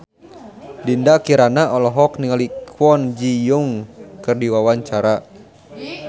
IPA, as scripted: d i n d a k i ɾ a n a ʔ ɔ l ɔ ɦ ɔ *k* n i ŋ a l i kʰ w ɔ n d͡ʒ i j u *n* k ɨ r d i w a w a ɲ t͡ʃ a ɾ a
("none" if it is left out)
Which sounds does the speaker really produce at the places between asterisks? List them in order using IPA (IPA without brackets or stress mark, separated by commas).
k, ŋ